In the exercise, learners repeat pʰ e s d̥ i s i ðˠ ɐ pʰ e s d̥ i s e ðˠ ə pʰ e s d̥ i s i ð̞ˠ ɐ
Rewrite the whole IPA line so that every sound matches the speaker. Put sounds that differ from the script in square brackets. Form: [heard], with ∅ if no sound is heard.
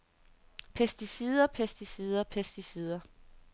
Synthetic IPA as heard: pʰ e s d̥ i s i ðˠ ɐ pʰ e s d̥ i s [i] ðˠ [ɐ] pʰ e s d̥ i s i ð̞ˠ ɐ